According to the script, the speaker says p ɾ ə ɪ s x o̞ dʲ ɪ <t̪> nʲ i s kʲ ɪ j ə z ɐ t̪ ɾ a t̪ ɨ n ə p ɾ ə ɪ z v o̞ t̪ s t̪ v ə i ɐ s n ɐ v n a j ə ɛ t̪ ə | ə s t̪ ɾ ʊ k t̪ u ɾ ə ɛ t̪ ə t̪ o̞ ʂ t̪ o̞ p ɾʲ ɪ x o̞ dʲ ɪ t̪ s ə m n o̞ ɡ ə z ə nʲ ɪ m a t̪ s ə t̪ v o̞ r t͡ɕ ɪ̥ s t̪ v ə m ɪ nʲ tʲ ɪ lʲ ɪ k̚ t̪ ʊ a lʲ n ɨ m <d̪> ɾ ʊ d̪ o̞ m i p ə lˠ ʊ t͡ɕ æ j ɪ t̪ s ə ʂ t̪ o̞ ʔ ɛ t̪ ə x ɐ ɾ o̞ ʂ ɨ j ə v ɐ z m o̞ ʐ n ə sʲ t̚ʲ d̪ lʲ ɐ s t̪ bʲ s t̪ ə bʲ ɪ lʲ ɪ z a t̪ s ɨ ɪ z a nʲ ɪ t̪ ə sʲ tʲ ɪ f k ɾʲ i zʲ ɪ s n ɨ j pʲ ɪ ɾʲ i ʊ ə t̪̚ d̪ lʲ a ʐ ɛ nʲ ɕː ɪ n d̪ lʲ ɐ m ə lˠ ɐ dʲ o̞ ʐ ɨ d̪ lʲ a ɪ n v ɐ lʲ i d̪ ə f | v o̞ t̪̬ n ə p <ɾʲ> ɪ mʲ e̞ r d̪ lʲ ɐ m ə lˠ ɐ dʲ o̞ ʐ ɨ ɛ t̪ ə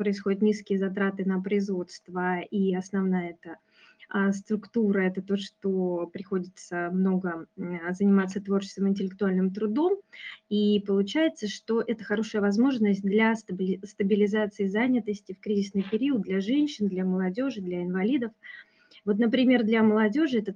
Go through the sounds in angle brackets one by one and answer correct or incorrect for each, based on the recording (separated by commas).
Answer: correct, incorrect, correct